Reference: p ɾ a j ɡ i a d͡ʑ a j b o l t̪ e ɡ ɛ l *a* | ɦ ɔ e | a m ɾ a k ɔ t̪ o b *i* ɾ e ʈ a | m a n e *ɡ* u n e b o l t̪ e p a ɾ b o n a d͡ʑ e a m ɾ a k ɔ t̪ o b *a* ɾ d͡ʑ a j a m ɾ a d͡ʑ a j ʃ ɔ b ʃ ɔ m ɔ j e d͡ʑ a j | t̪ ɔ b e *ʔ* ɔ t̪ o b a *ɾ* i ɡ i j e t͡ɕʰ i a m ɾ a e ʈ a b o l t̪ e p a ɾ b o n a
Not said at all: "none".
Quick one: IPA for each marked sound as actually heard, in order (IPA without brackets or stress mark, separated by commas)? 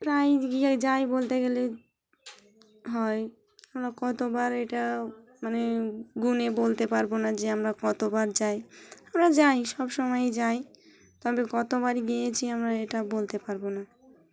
e, a, ɡ, a, k, ɾ